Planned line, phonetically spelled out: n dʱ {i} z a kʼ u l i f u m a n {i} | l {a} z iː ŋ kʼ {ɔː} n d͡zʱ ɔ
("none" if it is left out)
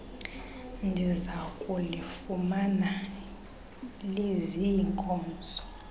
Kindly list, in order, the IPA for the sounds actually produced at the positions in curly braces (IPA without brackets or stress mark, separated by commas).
i, a, e, ɔː